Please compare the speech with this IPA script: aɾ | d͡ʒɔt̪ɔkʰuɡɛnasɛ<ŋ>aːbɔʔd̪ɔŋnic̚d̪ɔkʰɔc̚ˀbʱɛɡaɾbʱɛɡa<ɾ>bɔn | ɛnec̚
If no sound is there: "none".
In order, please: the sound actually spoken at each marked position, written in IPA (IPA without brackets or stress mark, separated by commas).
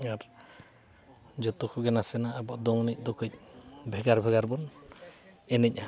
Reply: n, ɾ